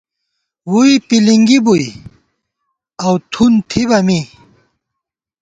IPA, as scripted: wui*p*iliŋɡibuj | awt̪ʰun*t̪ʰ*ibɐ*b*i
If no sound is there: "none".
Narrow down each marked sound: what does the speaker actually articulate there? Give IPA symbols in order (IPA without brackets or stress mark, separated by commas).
p, t̪ʰ, m